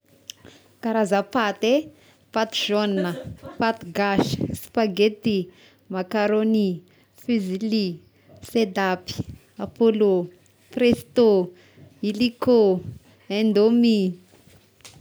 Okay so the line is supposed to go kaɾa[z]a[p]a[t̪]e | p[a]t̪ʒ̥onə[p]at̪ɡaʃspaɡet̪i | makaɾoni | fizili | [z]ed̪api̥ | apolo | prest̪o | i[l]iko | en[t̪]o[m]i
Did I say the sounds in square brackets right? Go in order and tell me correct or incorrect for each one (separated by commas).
correct, correct, correct, correct, correct, incorrect, correct, incorrect, correct